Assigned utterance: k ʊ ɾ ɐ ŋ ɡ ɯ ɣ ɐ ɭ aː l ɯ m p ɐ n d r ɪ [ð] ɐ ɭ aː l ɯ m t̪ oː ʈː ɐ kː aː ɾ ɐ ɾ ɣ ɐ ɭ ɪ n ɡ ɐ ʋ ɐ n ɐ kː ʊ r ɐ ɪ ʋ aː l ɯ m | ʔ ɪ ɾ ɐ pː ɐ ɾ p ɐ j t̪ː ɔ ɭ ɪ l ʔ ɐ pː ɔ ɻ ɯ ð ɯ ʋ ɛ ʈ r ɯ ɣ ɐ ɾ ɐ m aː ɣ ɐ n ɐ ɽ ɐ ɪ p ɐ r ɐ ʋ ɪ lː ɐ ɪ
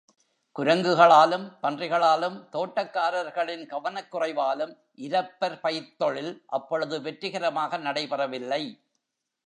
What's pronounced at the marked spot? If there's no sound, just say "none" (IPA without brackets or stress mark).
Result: ɣ